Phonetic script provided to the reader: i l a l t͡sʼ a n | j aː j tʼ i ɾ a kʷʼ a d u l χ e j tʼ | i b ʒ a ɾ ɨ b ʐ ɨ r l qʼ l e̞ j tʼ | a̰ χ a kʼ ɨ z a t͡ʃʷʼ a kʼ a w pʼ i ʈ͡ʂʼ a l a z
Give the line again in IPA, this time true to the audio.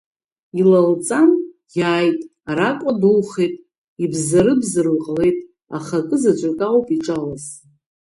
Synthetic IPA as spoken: i l a l t͡sʼ a n | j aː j tʼ a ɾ a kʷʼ a d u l χ e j tʼ | i b z a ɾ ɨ b z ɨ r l qʼ l e̞ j tʼ | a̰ χ a kʼ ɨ z a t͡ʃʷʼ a kʼ a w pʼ i ʈ͡ʂʼ a l a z